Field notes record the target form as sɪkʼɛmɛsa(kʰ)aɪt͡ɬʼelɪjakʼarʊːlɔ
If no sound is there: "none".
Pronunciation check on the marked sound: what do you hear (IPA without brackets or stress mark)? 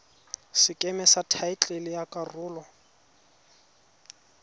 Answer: tʰ